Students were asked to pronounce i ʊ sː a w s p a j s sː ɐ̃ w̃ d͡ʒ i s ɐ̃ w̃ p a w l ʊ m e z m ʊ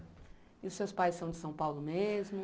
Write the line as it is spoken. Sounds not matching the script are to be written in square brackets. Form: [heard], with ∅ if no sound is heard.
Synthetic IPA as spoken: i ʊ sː [e] w s p a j s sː ɐ̃ w̃ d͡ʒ [ɪ] s ɐ̃ w̃ p a w l ʊ m e z m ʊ